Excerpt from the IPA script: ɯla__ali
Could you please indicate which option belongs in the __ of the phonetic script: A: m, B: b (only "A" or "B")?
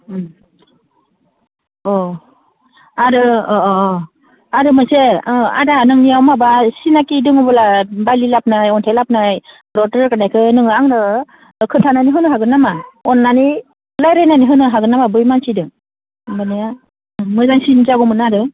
B